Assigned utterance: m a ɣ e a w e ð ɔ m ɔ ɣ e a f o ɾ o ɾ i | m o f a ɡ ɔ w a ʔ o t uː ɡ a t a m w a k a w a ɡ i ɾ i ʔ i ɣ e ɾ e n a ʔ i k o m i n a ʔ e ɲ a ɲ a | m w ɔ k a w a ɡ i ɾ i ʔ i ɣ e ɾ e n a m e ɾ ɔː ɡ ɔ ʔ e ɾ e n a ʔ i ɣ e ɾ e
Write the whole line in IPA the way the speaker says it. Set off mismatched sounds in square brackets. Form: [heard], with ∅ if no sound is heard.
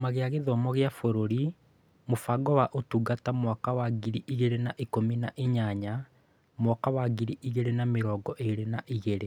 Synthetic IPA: m a ɣ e a [ɣ] e ð ɔ m ɔ ɣ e a f o ɾ o ɾ i | m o f a ɡ ɔ w a ʔ o t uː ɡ a t a m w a k a w a ɡ i ɾ i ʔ i ɣ e ɾ e n a ʔ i k o m i n a ʔ e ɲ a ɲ a | m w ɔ k a w a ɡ i ɾ i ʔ i ɣ e ɾ e n a m e ɾ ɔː ɡ ɔ ʔ e ɾ e n a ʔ i ɣ e ɾ e